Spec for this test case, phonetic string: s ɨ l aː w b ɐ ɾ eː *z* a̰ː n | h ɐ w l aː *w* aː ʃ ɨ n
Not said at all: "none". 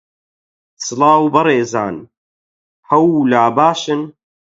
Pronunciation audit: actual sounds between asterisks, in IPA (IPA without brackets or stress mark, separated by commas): z, b